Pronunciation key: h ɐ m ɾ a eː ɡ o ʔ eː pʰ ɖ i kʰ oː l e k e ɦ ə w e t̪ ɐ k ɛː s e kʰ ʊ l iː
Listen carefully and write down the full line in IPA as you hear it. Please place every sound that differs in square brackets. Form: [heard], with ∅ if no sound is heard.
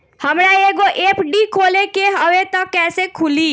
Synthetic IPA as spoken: h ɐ m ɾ a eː ɡ o ʔ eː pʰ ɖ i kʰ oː l e k e ɦ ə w e t̪ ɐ k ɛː s e kʰ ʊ l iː